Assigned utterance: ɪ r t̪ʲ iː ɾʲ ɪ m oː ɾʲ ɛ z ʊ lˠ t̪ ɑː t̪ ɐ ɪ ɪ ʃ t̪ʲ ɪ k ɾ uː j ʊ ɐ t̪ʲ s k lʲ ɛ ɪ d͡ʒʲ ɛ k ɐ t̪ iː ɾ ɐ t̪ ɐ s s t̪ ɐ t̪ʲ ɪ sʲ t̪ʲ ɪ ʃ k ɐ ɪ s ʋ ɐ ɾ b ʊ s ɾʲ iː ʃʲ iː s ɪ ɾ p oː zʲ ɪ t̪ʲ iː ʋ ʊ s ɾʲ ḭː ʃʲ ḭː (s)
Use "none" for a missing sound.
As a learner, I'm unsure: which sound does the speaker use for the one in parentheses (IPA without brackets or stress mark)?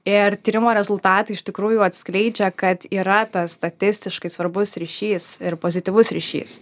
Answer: s